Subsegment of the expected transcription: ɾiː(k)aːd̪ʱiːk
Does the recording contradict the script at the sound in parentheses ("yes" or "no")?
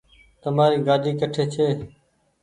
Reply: yes